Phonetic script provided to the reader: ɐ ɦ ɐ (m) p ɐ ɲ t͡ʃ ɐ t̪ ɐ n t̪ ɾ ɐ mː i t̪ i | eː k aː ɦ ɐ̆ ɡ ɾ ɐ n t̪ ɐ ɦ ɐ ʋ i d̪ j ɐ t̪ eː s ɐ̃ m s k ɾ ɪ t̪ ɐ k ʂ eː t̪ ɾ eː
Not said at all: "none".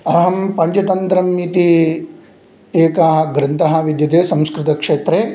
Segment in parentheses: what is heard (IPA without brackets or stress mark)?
m